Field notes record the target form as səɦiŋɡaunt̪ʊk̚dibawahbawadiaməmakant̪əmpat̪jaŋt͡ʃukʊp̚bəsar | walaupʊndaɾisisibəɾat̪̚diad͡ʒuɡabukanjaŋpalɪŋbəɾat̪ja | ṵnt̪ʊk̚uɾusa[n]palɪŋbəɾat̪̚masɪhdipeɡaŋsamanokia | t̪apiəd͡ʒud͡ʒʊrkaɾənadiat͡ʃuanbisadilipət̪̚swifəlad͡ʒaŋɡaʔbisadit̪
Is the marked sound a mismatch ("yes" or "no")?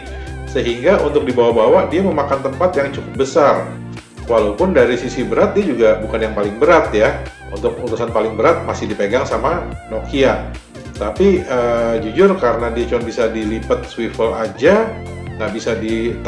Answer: no